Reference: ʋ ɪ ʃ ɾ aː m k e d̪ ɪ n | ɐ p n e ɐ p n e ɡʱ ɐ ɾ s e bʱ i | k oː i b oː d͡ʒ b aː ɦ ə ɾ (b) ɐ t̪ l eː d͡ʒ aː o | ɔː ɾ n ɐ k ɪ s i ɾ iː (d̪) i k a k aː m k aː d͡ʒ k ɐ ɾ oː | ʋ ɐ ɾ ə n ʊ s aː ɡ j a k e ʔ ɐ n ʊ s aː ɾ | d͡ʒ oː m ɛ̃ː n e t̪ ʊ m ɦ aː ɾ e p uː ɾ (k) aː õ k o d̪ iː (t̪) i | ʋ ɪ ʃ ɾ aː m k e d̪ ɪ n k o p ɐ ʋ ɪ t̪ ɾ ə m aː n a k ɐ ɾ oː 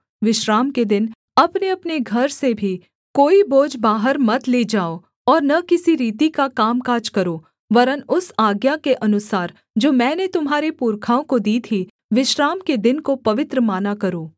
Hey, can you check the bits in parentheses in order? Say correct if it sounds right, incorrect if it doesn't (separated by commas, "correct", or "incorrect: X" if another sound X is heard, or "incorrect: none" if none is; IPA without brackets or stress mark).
incorrect: m, incorrect: t̪, incorrect: kʰ, incorrect: t̪ʰ